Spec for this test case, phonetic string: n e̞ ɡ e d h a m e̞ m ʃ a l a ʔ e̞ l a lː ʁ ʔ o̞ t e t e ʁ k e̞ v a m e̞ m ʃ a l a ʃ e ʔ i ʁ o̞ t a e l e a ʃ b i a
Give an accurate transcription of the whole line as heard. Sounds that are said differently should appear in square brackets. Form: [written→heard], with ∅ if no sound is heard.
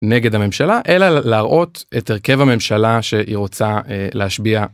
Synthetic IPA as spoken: n e̞ ɡ e d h a m e̞ m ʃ a l a ʔ e̞ l a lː ʁ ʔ o̞ t e t e ʁ k e̞ v a m e̞ m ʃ a l a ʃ e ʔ i ʁ o̞ [t→t͡s] a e l e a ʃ b i a